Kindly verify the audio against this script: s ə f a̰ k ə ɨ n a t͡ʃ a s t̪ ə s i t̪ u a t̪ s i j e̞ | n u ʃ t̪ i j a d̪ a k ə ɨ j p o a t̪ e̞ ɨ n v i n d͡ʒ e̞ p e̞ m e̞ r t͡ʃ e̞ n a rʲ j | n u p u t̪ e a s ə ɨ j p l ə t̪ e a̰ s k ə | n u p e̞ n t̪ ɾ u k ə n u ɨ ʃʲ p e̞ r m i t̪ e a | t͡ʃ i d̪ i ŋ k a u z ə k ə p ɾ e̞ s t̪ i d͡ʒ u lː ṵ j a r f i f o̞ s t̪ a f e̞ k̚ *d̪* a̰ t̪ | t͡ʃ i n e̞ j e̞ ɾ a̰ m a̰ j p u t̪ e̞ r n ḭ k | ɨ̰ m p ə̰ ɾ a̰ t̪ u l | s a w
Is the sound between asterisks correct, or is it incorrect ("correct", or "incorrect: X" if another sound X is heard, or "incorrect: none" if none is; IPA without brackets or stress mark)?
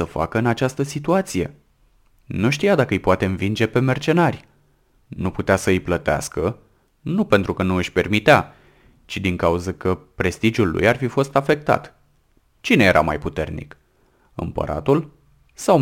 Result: incorrect: t̪